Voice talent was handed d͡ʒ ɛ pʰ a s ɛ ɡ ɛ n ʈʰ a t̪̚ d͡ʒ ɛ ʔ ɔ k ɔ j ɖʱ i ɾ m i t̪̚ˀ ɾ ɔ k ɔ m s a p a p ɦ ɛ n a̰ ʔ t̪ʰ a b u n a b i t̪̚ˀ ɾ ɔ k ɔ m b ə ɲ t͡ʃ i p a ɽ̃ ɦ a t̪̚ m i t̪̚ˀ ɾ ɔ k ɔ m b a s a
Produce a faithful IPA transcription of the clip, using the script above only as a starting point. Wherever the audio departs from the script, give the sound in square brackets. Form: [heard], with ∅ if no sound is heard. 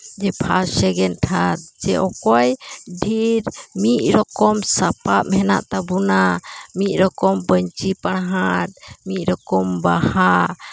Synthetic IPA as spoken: d͡ʒ ɛ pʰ a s ɛ ɡ ɛ n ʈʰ a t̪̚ d͡ʒ ɛ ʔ ɔ k ɔ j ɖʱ i ɾ m i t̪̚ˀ ɾ ɔ k ɔ m s a p a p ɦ ɛ n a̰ ʔ [t̪] a b u n a [m] i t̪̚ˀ ɾ ɔ k ɔ m b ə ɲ t͡ʃ i p a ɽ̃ ɦ a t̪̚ m i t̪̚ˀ ɾ ɔ k ɔ m b a [h] a

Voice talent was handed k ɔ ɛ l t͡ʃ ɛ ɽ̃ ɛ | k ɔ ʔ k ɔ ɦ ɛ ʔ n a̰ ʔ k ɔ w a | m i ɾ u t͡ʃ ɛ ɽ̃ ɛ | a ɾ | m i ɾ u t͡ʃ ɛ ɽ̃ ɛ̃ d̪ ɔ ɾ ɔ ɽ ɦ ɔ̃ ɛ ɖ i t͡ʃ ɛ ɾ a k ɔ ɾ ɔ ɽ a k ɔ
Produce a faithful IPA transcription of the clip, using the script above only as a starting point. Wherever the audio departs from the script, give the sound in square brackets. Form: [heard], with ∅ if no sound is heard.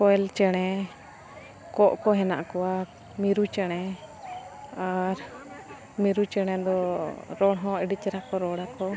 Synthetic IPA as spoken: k ɔ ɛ l t͡ʃ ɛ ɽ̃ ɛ | k ɔ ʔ k ɔ ɦ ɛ [∅] n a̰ ʔ k ɔ w a | m i ɾ u t͡ʃ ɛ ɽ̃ ɛ | a ɾ | m i ɾ u t͡ʃ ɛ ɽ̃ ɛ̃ d̪ ɔ ɾ ɔ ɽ ɦ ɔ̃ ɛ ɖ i t͡ʃ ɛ ɾ a k ɔ ɾ ɔ ɽ a k ɔ

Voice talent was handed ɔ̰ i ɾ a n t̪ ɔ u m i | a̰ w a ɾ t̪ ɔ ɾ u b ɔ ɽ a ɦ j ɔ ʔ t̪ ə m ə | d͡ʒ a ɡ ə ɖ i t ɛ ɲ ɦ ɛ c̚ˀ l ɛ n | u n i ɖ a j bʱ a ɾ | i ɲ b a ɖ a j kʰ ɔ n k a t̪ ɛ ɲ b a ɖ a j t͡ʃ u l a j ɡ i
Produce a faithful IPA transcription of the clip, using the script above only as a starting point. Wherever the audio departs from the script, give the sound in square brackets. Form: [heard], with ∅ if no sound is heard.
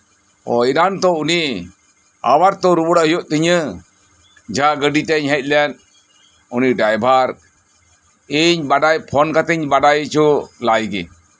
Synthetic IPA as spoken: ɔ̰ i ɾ a n t̪ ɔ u [n] i | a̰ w a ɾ t̪ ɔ ɾ u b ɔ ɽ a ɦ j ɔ ʔ t̪ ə [ɲ] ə | d͡ʒ a ɡ ə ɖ i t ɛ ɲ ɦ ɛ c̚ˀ l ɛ n | u n i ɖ a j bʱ a ɾ | i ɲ b a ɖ a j [pʰ] ɔ n k a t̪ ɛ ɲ b a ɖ a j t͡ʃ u l a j ɡ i

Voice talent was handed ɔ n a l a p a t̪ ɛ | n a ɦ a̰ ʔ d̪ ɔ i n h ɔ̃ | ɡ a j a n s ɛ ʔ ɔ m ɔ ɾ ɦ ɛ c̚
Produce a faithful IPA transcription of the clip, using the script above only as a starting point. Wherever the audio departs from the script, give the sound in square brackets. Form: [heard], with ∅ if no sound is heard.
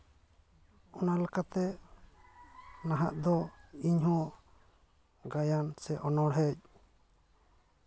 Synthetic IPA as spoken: ɔ n a l a [k] a t̪ ɛ | n a ɦ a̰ ʔ d̪ ɔ i [ɲ] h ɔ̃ | ɡ a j a n s ɛ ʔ ɔ [n] ɔ [ɽ] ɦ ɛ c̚

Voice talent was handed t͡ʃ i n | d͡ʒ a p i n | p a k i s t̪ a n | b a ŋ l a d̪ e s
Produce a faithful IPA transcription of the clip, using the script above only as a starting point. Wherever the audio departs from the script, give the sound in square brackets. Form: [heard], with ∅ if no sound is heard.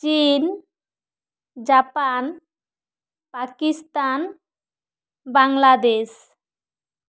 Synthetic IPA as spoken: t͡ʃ i n | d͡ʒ a p [a] n | p a k i s t̪ a n | b a ŋ l a d̪ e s

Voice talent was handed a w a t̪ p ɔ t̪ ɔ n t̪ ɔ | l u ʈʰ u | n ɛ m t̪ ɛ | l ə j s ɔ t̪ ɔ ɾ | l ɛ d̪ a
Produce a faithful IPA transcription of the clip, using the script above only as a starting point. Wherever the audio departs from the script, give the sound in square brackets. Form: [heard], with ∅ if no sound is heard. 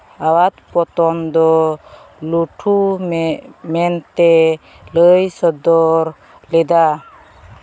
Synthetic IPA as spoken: a w a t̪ p ɔ t̪ ɔ n [d̪] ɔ | l u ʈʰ u | [m] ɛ [n] t̪ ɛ | l ə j s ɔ [d̪] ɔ ɾ | l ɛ d̪ a

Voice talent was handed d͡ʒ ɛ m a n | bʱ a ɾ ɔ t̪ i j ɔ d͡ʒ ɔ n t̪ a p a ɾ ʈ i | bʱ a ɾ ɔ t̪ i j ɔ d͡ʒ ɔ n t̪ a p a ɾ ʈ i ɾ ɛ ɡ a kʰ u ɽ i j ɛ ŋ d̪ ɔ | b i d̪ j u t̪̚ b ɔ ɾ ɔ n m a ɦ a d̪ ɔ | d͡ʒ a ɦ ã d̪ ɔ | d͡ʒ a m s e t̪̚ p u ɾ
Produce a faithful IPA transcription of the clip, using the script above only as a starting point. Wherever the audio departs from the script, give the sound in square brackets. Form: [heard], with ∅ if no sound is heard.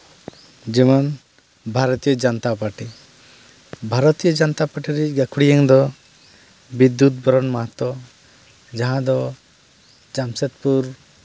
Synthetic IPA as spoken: d͡ʒ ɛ m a n | bʱ a ɾ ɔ t̪ i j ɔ d͡ʒ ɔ n t̪ a p a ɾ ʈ i | bʱ a ɾ ɔ t̪ i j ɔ d͡ʒ ɔ n t̪ a p a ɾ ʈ i ɾ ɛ ɡ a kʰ u ɽ i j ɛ ŋ d̪ ɔ | b i d̪ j u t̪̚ b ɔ ɾ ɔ n m a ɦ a [t̪] ɔ | d͡ʒ a ɦ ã d̪ ɔ | d͡ʒ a m s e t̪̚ p u ɾ

